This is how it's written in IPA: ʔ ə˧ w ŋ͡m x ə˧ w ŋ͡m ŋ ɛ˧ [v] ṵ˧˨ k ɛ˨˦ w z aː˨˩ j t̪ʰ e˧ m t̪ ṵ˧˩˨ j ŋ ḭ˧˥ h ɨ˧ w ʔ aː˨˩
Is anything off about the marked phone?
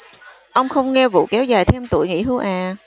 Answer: no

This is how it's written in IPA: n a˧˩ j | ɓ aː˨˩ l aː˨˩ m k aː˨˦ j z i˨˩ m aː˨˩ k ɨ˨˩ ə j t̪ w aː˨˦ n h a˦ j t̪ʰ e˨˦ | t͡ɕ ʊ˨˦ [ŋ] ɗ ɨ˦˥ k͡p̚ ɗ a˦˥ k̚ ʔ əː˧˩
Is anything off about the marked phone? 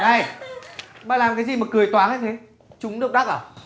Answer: yes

